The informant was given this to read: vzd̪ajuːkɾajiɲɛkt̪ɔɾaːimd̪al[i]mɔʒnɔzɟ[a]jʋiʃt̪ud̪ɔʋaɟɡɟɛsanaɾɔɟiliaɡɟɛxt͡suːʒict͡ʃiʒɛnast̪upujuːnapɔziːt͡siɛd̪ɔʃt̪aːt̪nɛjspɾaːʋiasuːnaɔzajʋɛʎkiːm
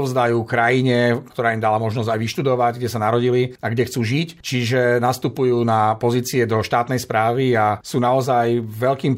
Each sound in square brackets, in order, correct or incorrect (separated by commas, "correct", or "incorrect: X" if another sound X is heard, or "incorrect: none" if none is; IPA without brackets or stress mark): incorrect: a, correct